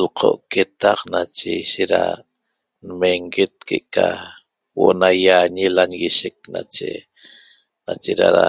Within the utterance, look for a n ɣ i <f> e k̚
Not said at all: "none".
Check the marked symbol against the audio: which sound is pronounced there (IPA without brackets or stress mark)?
ʃ